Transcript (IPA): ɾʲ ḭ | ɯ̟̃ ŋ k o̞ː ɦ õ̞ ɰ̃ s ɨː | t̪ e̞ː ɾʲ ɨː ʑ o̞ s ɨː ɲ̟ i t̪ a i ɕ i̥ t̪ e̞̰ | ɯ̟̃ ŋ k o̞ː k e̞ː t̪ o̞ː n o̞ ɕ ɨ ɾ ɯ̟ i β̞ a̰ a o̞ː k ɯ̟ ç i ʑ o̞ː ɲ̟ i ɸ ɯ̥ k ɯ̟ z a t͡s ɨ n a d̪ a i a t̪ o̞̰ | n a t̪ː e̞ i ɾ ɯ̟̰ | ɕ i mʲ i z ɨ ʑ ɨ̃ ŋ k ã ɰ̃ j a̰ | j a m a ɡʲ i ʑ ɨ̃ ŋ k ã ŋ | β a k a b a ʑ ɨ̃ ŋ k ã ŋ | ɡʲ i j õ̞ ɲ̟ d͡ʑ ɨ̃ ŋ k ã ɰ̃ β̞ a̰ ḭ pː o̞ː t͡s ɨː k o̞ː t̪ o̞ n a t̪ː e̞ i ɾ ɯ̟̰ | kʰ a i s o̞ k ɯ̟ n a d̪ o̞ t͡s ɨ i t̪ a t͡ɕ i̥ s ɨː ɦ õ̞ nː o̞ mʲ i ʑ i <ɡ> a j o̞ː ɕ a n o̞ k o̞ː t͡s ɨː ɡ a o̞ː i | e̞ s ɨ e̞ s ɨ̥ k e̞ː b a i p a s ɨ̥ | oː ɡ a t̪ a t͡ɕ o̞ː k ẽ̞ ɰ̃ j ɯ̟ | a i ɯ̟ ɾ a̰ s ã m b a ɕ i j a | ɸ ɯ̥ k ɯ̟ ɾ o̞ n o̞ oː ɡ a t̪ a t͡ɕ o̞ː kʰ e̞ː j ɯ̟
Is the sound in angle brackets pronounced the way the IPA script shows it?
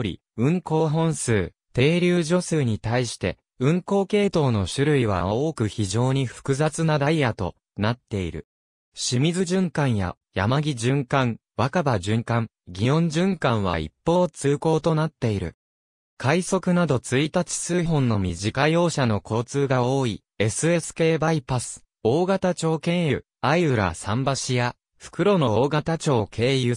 no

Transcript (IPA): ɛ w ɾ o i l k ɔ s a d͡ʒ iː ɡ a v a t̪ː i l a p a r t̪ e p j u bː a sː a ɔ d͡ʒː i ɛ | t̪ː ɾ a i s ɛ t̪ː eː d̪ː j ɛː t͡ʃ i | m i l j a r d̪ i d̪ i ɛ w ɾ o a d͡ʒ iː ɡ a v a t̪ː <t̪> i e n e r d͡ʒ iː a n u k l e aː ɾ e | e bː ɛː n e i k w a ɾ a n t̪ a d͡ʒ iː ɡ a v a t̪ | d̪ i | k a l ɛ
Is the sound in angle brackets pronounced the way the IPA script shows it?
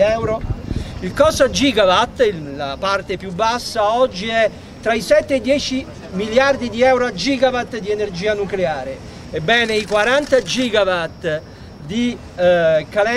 no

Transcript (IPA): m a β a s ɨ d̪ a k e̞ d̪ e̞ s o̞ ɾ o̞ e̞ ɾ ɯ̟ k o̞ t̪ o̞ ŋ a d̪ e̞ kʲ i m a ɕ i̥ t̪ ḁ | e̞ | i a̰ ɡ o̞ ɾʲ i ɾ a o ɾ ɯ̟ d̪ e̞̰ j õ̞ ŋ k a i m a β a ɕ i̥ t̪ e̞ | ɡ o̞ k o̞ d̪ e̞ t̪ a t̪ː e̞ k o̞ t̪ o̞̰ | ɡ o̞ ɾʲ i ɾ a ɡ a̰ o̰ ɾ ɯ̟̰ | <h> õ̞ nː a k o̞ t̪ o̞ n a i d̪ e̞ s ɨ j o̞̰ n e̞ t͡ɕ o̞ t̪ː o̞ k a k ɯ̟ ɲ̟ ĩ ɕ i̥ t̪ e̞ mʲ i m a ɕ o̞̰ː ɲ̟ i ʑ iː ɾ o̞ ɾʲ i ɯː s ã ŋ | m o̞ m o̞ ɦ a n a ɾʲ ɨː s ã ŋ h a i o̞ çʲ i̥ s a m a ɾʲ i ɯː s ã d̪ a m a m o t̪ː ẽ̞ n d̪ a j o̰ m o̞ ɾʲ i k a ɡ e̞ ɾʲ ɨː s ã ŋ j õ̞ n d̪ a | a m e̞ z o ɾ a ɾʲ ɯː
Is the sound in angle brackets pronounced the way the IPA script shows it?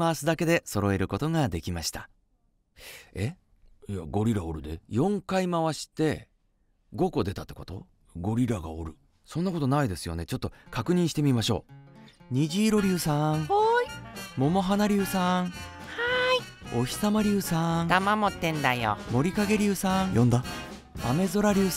no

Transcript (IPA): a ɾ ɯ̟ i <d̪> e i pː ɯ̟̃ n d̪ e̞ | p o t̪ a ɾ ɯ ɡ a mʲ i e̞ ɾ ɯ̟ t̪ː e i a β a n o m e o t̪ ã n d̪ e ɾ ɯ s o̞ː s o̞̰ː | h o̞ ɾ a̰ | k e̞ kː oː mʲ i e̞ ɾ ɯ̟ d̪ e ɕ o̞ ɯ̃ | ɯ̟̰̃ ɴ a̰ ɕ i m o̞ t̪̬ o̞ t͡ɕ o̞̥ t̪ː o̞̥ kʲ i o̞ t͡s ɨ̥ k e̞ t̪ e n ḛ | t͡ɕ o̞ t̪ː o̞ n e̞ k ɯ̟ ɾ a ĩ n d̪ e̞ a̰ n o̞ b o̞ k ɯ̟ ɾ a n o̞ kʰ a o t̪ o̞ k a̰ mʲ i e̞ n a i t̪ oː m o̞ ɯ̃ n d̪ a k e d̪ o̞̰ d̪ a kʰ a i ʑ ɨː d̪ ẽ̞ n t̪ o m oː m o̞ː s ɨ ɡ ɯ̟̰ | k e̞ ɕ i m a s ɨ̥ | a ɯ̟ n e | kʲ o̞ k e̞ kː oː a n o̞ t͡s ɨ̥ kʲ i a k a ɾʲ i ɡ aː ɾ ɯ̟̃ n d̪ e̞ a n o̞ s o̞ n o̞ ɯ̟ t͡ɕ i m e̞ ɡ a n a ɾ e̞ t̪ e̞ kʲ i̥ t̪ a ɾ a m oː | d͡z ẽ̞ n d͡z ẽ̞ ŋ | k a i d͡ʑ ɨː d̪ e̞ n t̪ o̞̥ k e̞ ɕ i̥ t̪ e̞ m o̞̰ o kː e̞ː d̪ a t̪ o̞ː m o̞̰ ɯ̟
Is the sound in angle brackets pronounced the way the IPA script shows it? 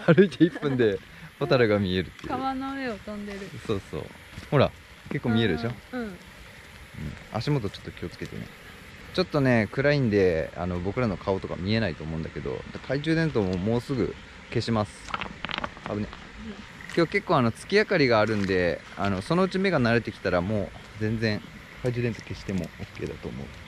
no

